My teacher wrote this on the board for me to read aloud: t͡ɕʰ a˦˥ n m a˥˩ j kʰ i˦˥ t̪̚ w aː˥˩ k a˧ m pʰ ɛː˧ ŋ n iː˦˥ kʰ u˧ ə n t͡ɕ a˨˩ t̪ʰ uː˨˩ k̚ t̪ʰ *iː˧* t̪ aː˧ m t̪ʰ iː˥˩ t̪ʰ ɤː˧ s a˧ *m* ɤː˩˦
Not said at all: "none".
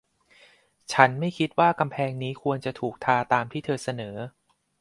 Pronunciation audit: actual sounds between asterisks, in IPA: aː˧, n

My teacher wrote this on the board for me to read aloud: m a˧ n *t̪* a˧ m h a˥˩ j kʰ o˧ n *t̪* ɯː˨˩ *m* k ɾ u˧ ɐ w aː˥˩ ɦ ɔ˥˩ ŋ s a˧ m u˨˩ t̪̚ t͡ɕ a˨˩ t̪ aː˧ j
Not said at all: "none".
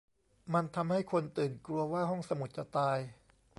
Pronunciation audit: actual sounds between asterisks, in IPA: t̪ʰ, t̪, n

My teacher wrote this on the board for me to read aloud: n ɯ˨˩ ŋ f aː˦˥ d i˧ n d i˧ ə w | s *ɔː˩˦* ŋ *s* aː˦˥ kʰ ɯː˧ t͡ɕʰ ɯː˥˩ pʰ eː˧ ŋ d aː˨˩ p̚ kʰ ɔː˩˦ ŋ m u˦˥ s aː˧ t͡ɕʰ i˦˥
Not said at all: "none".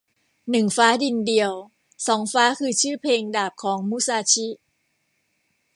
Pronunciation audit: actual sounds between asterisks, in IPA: ɔː˩˦, f

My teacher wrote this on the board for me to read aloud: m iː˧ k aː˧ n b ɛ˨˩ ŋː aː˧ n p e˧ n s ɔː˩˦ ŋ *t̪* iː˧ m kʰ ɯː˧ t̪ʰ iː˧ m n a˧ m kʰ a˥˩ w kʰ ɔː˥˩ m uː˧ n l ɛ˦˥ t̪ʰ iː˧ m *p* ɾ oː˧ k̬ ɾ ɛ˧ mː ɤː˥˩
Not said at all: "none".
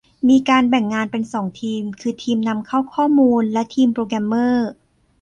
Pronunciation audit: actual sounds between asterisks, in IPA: t̪ʰ, p

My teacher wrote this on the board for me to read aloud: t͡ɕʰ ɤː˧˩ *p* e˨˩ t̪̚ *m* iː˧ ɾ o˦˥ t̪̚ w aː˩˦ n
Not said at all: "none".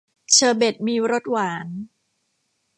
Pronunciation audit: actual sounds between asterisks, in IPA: b, m

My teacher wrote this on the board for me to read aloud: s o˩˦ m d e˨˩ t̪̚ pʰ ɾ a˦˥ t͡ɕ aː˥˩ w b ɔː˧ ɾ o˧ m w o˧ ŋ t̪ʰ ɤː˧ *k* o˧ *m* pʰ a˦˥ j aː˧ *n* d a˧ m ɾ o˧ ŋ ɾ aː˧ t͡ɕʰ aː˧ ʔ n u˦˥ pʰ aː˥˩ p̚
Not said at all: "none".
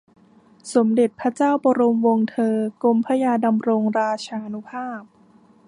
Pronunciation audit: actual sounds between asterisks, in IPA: k, m, none

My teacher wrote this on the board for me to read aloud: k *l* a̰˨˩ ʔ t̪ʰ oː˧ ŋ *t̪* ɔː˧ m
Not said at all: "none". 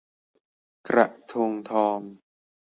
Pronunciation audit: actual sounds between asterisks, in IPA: ɾ, t̪ʰ

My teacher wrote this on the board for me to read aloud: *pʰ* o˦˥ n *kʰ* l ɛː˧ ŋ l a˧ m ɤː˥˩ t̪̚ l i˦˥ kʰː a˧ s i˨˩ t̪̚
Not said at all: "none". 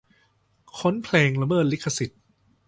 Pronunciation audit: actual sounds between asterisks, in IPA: kʰ, pʰ

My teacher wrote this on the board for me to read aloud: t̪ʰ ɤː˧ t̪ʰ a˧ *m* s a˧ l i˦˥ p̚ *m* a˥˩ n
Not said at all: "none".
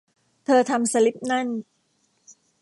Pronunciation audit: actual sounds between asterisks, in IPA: m, n

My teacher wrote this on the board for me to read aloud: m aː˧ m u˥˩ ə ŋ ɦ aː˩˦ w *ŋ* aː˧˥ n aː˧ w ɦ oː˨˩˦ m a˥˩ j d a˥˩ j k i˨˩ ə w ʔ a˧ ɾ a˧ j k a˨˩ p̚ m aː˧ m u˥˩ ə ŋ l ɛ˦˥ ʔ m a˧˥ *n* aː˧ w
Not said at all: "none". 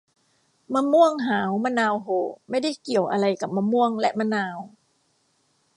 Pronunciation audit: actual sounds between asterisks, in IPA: m, n

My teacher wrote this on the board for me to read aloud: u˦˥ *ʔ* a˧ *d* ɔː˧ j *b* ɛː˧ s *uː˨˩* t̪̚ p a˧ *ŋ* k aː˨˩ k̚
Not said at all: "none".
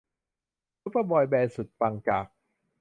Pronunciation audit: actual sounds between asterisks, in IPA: p, b, b, u˨˩, ŋ

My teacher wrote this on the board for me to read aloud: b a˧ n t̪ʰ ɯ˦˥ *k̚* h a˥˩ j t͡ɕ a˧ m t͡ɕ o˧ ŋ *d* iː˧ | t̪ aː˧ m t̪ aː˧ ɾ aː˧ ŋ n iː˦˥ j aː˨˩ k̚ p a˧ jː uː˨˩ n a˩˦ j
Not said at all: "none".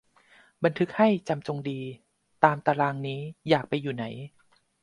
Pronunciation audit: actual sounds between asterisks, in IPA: k̚, d

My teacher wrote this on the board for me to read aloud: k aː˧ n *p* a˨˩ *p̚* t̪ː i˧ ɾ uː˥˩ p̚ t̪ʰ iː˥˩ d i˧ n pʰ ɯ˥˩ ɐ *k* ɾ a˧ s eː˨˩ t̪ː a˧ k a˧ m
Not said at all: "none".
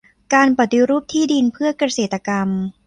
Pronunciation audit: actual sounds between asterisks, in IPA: p, none, k

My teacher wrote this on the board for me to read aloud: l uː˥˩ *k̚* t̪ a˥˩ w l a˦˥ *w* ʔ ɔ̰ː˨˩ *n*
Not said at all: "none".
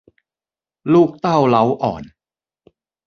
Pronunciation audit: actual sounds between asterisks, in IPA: k̚, w, n

